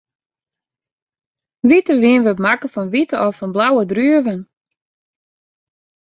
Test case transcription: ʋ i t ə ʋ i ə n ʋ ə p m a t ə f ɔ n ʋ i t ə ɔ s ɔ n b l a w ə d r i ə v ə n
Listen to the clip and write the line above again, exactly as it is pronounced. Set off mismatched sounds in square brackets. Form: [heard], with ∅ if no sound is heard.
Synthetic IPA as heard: ʋ i t ə ʋ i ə n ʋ ə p m a [k] ə f ɔ n ʋ i t ə ɔ [f] ɔ n b l a w ə d r [y] ə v ə n